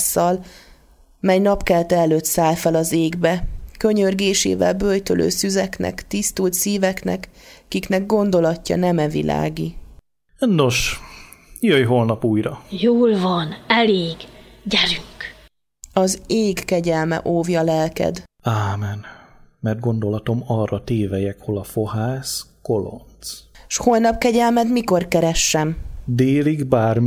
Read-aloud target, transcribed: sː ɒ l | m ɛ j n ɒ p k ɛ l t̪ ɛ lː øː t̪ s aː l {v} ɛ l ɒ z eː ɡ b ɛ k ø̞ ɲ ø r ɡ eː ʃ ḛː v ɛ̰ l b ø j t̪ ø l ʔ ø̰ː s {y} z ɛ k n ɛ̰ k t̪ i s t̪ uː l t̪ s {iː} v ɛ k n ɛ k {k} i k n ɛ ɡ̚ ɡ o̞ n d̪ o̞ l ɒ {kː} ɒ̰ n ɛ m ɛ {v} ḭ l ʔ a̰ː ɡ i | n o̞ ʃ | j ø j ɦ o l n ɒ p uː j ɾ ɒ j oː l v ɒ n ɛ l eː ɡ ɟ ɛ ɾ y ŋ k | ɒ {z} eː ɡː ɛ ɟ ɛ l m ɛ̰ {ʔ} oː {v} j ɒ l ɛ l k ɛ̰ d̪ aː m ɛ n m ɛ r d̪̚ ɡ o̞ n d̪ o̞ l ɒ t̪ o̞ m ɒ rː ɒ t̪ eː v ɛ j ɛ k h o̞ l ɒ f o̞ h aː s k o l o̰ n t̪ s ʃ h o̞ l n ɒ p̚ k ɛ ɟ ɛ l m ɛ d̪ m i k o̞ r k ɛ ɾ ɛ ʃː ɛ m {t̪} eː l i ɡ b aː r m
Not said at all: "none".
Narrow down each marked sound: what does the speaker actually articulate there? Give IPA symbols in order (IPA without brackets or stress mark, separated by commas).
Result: f, y, iː, k, cː, v, z, ʔ, v, d̪